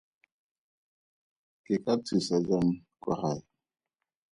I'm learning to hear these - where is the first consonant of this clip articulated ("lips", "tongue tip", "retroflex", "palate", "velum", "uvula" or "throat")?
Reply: velum